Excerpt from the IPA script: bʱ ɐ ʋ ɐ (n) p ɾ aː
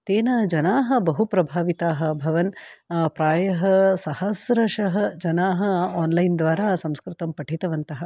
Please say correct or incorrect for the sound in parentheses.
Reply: correct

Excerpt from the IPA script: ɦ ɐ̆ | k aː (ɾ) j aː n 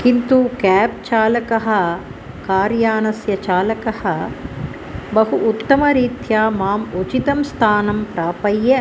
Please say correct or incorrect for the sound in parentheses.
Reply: correct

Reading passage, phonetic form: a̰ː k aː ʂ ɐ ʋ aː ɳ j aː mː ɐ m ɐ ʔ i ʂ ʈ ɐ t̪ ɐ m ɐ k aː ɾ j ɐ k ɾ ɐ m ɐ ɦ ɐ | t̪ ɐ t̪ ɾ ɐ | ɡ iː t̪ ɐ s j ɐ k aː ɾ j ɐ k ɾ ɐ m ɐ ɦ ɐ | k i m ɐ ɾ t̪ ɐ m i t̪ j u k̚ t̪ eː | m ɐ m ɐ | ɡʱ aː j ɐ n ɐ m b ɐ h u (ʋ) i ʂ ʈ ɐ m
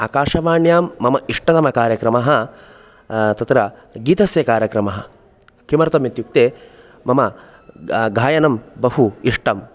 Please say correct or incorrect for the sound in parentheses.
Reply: incorrect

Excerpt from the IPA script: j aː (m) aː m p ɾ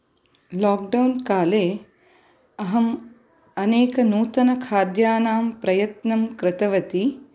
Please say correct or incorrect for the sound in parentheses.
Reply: incorrect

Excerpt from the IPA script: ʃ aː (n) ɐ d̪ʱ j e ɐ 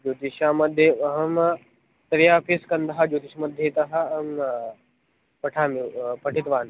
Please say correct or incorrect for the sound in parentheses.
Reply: incorrect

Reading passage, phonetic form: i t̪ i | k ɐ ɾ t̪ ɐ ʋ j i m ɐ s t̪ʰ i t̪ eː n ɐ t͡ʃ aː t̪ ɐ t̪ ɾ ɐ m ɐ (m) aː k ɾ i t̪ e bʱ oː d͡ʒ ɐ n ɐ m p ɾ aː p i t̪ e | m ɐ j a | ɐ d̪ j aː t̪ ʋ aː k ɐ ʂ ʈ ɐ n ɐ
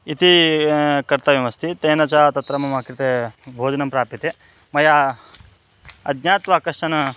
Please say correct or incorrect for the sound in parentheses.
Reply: correct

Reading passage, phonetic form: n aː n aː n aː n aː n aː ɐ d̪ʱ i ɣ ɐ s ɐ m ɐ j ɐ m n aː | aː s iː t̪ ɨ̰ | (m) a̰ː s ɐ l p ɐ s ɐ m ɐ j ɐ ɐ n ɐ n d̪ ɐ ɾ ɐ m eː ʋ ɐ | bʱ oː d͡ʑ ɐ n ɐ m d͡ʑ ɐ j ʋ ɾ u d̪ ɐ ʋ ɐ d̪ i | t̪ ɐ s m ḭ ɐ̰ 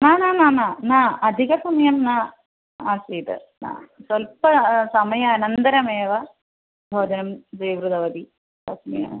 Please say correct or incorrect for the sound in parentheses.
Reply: incorrect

